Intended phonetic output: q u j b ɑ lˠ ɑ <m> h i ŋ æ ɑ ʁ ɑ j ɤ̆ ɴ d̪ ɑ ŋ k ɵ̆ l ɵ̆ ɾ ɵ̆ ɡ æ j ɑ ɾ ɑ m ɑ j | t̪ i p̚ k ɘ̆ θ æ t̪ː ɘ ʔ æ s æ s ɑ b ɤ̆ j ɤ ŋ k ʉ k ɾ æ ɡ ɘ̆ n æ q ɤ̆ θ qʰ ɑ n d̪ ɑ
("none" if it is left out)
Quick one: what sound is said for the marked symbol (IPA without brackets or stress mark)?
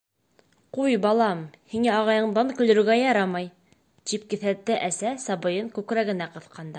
m